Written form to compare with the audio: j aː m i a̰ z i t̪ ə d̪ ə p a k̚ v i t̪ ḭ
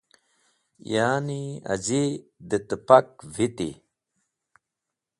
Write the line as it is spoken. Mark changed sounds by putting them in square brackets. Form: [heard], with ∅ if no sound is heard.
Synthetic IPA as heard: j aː [n] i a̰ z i [d̪] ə [t̪] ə p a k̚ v i t̪ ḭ